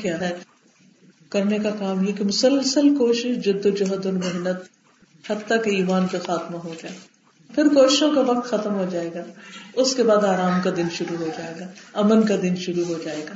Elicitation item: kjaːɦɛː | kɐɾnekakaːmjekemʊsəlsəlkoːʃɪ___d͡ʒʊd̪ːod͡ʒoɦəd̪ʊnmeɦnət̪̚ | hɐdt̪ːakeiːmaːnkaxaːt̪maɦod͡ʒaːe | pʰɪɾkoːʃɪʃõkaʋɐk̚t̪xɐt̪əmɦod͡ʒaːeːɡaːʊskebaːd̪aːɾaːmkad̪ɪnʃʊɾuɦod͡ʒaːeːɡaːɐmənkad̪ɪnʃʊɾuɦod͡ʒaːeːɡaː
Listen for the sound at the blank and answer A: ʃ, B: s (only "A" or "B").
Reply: A